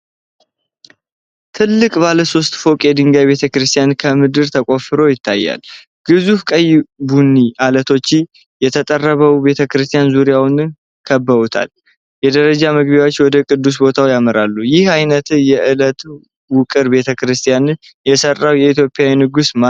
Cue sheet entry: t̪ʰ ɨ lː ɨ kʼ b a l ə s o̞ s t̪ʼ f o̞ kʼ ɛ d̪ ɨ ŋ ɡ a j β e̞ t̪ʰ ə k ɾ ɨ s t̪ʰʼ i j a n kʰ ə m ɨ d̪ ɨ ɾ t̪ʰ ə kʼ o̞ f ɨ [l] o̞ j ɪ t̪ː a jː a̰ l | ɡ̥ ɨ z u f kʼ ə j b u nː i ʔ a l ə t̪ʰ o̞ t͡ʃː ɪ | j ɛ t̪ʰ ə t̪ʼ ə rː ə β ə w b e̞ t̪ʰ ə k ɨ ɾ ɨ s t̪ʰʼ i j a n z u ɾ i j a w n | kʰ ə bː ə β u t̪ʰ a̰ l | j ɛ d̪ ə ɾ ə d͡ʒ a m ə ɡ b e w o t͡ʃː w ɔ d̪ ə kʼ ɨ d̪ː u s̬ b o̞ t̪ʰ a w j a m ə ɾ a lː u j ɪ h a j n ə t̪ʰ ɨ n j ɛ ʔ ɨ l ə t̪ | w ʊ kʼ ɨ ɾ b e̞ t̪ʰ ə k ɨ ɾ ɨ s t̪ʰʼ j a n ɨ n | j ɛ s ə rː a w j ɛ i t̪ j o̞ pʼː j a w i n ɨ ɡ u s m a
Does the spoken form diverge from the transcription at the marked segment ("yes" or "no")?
yes